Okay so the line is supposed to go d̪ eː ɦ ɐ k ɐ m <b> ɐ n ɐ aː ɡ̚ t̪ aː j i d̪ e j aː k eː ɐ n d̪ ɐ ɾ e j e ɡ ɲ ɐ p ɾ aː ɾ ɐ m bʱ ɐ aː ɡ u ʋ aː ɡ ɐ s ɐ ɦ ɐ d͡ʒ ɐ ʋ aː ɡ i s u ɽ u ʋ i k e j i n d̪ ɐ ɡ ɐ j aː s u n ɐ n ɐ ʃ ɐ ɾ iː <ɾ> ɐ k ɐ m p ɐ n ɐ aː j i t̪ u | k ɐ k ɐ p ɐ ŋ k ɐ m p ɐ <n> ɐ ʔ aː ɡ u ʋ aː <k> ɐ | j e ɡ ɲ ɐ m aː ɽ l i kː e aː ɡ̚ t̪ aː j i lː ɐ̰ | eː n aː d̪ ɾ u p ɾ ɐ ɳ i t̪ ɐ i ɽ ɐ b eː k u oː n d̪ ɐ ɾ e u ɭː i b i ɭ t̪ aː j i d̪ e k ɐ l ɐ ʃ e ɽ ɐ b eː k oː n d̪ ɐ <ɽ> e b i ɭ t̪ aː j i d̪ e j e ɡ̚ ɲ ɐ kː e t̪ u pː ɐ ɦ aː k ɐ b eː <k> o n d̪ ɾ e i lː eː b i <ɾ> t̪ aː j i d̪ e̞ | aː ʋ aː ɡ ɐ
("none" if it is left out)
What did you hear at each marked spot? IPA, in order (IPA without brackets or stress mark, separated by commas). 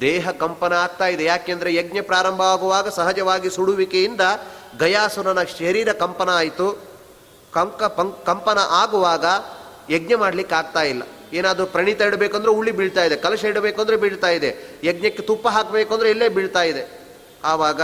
p, ɾ, n, ɡ, ɾ, k, ɭ